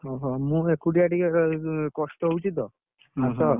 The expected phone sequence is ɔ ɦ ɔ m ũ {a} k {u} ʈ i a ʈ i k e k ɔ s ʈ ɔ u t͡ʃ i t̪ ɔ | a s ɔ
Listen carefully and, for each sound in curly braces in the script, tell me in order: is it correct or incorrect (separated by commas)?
incorrect, correct